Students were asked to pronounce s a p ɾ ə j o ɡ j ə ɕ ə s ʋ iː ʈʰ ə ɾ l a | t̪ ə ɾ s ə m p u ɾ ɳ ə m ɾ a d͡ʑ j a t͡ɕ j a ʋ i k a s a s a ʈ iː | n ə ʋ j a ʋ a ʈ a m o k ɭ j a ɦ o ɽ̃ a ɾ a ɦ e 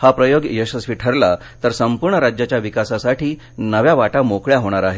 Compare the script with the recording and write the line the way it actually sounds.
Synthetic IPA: h a p ɾ ə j o ɡ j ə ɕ ə s ʋ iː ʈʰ ə ɾ l a | t̪ ə ɾ s ə m p u ɾ ɳ ə ɾ a d͡ʑ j a t͡ɕ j a ʋ i k a s a s a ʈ iː | n ə ʋ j a ʋ a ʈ a m o k ɭ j a ɦ o ɽ̃ a ɾ a ɦ e